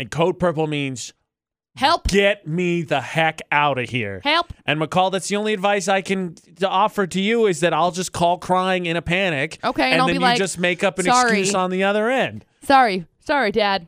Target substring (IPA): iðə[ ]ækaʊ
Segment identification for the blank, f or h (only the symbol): h